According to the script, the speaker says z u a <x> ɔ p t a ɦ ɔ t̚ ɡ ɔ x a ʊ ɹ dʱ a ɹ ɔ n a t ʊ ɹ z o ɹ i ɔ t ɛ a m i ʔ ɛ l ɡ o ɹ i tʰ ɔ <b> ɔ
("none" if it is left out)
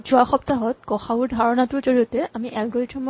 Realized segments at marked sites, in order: x, m

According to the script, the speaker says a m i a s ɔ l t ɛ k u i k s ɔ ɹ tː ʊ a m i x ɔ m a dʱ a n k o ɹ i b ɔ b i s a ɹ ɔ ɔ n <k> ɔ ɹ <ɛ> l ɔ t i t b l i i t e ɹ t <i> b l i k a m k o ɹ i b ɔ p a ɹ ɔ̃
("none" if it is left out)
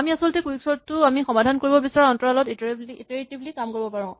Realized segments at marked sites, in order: t, a, i

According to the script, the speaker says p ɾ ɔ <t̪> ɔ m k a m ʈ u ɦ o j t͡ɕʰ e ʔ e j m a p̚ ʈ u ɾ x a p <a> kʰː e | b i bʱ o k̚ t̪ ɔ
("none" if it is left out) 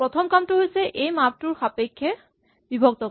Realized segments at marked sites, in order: t̪ʰ, e

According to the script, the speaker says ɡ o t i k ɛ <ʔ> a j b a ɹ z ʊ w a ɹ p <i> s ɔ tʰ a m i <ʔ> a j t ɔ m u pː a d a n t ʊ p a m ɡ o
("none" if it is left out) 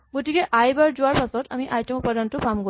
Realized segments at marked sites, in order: ʔ, a, ʔ

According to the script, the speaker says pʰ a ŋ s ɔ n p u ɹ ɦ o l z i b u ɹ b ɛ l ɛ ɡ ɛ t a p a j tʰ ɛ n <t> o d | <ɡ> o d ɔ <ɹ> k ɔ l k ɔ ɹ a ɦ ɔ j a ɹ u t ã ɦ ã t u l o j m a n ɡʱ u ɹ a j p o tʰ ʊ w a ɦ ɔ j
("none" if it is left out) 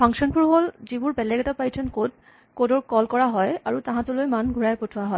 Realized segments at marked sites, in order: k, k, ɹ

